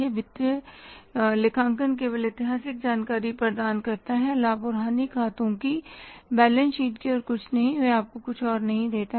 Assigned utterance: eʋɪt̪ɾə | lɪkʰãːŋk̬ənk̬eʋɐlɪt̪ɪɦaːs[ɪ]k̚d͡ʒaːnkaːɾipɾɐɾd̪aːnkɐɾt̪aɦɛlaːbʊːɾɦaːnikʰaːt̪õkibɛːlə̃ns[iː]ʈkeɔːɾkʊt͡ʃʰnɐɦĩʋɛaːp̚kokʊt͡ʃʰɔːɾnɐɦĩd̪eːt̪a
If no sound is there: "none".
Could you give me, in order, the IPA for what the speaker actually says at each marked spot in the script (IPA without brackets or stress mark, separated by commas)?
ɪ, iː